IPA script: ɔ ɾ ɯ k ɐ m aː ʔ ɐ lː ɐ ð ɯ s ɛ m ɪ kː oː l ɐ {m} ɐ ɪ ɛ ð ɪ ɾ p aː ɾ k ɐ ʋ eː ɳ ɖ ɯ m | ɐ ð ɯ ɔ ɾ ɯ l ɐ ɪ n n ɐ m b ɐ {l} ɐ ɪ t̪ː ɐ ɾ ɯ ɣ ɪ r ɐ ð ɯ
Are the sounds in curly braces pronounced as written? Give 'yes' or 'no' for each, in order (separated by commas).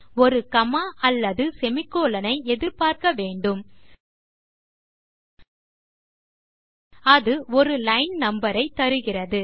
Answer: no, no